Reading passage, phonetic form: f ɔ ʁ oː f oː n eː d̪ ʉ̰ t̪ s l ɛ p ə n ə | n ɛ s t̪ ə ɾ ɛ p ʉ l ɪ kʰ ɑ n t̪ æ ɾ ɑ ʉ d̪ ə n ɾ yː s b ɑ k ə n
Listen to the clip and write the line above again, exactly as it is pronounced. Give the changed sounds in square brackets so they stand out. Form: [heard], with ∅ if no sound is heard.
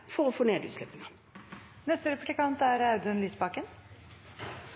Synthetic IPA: f ɔ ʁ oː f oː n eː d̪ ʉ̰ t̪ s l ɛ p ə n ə | n ɛ s t̪ ə ɾ ɛ p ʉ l ɪ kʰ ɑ n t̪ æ ɾ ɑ ʉ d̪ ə n [l] yː s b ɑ k ə n